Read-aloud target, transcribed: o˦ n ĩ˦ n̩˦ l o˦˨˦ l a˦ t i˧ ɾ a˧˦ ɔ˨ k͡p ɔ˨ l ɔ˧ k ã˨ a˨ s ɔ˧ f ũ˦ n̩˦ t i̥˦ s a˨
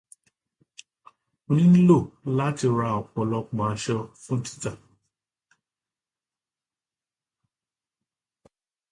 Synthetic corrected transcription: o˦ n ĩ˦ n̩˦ l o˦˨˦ l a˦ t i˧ ɾ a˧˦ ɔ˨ k͡p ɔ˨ l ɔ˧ k͡p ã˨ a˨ ʃ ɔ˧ f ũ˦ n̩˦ t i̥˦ t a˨